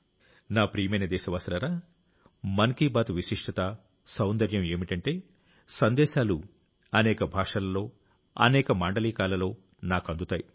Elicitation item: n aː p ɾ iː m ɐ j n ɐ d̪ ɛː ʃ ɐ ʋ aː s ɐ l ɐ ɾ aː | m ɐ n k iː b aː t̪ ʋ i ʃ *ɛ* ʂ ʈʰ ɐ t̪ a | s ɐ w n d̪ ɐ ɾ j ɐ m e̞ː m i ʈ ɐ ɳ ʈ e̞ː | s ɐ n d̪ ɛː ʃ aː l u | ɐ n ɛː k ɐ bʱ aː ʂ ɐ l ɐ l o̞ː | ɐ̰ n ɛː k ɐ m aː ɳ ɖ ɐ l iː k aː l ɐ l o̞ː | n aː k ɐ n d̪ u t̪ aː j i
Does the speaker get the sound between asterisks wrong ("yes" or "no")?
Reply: yes